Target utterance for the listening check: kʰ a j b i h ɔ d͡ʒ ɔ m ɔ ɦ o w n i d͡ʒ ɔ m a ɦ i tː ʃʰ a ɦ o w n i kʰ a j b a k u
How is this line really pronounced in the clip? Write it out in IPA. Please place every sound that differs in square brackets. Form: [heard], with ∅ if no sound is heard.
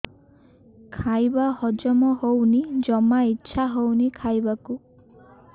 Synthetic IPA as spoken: kʰ a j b [a] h ɔ d͡ʒ ɔ m ɔ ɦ o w n i d͡ʒ ɔ m a [∅] i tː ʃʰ a ɦ o w n i kʰ a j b a k u